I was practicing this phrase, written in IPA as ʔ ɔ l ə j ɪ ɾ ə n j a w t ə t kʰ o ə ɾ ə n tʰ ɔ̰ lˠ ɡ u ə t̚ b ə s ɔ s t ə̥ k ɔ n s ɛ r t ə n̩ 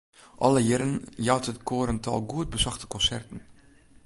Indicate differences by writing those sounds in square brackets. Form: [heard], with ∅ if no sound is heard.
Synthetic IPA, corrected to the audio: ʔ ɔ l ə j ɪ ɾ ə n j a w t ə t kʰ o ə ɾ ə n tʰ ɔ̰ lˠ ɡ u ə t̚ b ə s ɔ [x] t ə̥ k ɔ n s ɛ r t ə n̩